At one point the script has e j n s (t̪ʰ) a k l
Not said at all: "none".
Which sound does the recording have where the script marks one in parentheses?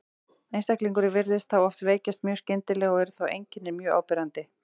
t̪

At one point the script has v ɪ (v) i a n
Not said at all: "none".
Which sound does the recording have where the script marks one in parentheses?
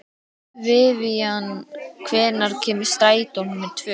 v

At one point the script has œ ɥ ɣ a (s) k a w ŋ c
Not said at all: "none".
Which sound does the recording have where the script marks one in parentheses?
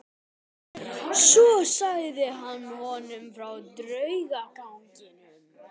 none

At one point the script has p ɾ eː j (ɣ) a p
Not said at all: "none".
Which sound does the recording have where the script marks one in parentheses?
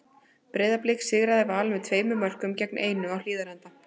ð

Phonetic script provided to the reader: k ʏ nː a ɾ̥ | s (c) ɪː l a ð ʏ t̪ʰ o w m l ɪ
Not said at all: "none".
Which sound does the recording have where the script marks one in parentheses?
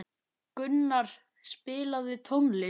p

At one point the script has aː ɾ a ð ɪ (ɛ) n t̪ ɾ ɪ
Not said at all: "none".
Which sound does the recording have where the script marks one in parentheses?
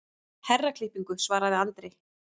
a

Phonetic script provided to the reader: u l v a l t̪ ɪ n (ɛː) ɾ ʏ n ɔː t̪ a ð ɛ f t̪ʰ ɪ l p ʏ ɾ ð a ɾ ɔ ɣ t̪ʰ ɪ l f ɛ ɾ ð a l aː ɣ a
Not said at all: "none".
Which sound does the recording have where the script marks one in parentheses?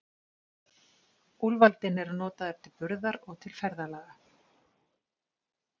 ɛ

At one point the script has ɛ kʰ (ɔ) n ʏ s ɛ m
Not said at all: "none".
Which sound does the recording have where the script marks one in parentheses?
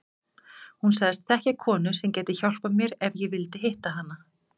ɔː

